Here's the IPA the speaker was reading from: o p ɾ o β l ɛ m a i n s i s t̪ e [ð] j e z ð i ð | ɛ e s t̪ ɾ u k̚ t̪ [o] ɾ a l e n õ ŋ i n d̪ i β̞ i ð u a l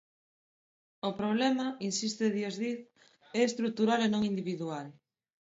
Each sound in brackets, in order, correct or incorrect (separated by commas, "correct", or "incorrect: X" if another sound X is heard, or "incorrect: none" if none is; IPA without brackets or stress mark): correct, incorrect: u